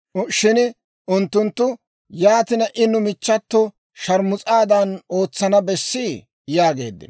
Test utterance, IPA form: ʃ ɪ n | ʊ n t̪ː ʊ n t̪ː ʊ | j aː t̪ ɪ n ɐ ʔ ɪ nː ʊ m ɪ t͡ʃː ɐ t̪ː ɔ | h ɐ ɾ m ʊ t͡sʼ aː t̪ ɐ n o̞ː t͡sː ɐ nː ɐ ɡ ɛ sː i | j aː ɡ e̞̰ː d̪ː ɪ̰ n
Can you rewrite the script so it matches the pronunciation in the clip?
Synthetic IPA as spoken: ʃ ɪ n | ʊ n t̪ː ʊ n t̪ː ʊ | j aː t̪ ɪ n ɐ ʔ ɪ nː ʊ m ɪ t͡ʃː ɐ t̪ː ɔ | ʃ ɐ ɾ m ʊ t͡sʼ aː d̪ ɐ n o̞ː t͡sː ɐ n ɐ b ɛ sː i | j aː ɡ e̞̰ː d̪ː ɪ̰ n